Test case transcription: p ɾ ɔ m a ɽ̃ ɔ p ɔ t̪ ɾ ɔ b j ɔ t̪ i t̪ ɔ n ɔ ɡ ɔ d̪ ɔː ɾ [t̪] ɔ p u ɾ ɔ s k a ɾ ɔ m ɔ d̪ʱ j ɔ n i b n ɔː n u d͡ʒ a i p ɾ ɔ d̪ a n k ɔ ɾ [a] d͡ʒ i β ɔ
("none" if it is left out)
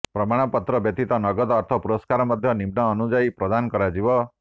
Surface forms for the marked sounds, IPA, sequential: t̪ʰ, a

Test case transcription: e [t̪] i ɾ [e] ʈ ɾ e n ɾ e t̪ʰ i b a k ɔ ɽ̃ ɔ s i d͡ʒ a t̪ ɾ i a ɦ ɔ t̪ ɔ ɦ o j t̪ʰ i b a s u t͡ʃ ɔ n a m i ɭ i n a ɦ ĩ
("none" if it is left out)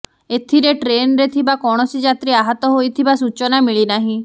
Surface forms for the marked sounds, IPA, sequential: t̪ʰ, e

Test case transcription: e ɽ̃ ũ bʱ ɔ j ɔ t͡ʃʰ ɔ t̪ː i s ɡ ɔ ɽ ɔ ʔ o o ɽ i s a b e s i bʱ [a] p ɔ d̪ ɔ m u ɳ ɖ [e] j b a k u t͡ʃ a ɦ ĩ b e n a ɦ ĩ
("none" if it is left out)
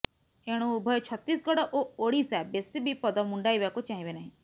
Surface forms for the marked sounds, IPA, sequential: i, a

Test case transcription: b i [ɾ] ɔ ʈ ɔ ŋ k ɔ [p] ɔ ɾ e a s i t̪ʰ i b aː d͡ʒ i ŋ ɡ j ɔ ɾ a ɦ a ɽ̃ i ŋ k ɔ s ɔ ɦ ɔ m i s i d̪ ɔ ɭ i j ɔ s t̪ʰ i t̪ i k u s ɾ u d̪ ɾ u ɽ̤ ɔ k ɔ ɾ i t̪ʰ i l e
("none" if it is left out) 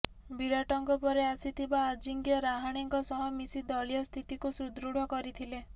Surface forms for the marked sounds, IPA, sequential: ɾ, p

